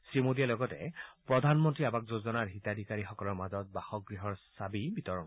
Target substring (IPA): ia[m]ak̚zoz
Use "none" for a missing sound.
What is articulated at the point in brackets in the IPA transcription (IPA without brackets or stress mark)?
b